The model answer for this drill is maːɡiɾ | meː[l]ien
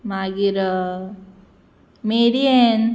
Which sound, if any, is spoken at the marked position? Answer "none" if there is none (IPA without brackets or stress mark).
ɾ